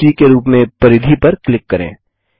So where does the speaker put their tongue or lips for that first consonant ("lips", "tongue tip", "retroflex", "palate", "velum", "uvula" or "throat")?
velum